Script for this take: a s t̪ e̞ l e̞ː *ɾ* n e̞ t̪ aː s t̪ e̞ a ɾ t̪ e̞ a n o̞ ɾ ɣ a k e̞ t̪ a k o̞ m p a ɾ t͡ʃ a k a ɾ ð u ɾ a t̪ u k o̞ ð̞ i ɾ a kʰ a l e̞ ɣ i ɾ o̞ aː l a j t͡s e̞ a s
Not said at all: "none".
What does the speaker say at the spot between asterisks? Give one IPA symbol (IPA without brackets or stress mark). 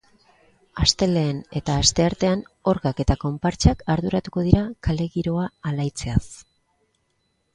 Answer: none